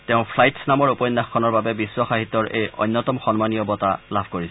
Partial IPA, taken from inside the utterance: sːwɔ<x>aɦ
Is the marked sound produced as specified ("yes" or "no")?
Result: yes